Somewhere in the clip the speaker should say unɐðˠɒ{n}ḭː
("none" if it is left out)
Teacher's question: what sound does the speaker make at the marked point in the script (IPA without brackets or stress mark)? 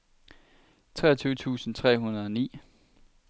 n